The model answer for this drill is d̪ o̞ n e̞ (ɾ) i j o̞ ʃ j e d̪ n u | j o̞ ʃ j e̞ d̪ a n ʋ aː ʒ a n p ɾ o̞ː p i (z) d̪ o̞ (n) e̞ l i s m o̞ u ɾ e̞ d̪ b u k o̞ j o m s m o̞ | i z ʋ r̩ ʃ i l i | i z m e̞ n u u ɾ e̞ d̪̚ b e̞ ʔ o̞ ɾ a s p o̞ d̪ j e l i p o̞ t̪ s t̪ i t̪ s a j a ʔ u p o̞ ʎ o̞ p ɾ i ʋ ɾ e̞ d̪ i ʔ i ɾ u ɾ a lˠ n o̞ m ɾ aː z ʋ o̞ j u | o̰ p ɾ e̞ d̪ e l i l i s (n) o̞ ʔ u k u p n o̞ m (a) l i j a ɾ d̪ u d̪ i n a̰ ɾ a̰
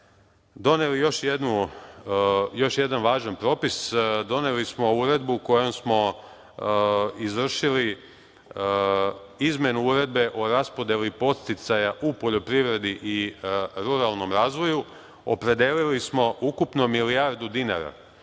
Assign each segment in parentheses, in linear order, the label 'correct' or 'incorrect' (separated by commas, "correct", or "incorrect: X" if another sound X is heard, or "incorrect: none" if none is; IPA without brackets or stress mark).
incorrect: l, incorrect: s, correct, incorrect: m, incorrect: i